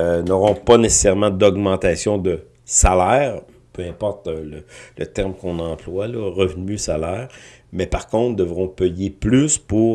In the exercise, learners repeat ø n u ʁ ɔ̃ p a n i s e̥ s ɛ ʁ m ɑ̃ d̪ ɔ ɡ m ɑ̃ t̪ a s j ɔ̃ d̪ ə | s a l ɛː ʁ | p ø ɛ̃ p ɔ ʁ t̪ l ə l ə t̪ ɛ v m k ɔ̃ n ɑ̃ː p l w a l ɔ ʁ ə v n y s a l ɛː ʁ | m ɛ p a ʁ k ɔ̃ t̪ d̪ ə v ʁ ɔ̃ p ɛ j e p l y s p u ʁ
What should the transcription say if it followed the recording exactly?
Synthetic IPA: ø n ɔ ʁ ɔ̃ p a n e s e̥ s ɛ ʁ m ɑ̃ d̪ ɔ ɡ m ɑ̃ t̪ a s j ɔ̃ d̪ ə | s a l ɛː ʁ | p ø ɛ̃ p ɔ ʁ t̪ l ə l ə t̪ ɛ ʁ m k ɔ̃ n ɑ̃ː p l w a l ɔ ʁ ə v n y s a l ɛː ʁ | m ɛ p a ʁ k ɔ̃ t̪ d̪ ə v ʁ ɔ̃ p ɛ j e p l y s p u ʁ